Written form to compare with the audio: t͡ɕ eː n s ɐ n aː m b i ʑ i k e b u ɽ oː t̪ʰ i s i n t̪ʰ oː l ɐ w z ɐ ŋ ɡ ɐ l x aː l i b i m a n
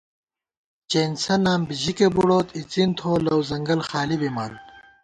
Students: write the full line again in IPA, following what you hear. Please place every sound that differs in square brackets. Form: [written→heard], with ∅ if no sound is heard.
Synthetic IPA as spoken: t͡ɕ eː n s ɐ n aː m b i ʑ i k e b u ɽ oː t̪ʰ i [s→t͡s] i n t̪ʰ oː l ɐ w z ɐ ŋ ɡ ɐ l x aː l i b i m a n